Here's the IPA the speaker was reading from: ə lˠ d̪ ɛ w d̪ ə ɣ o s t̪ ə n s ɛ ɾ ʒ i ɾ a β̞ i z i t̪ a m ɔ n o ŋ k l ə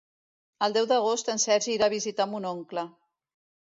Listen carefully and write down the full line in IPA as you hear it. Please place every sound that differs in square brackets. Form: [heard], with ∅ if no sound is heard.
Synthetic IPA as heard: ə lˠ d̪ ɛ w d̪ ə ɣ o s t̪ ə n s ɛ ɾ ʒ i ɾ a β̞ i z i t̪ a m [u] n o ŋ k l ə